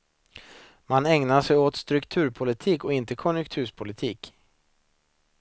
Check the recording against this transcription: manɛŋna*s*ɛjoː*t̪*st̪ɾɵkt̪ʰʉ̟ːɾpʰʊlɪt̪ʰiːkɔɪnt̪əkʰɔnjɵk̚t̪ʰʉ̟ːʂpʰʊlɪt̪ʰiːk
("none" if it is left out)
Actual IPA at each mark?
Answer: ʂ, t̪

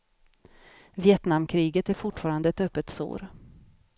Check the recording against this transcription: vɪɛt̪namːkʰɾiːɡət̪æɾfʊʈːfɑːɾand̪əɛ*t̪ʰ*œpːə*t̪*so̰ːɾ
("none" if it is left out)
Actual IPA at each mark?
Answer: t̪, t̪

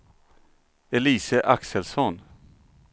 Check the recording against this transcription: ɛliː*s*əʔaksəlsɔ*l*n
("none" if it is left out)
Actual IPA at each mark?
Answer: s, none

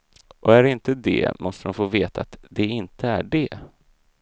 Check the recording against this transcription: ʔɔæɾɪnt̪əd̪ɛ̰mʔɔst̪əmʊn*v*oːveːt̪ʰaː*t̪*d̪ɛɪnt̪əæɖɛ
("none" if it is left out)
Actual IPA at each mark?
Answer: f, t̪

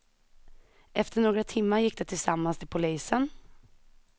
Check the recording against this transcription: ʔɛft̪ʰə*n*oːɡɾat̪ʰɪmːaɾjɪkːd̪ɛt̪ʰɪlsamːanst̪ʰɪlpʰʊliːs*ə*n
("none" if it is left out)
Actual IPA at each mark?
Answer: ɳ, ə

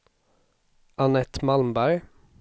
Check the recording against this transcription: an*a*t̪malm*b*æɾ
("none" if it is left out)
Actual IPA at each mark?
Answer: ɛ, b

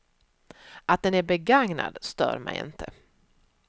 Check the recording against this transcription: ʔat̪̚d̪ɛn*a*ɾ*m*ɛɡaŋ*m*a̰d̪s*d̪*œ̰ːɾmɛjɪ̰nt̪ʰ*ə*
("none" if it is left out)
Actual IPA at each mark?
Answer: æ, b, n, t̪, ə

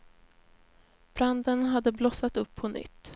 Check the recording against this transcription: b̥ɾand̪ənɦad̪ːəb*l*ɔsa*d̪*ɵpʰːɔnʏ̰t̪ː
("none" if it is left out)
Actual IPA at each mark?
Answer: l, t̪

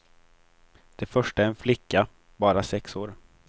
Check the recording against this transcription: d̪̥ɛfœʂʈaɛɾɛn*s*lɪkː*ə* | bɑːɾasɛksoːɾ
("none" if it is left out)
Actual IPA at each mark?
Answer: f, a

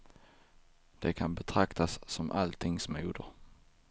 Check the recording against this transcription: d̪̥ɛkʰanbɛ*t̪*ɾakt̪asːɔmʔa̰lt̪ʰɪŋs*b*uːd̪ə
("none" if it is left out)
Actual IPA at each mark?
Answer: t̪ʰ, m

